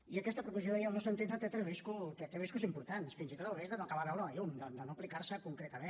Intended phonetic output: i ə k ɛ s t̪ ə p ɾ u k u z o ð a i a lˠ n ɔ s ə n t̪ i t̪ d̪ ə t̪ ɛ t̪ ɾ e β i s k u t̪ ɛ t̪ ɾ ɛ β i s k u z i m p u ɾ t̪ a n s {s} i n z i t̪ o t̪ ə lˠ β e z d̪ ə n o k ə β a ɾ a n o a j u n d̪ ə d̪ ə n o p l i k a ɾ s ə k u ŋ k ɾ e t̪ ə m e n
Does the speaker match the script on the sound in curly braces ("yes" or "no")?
no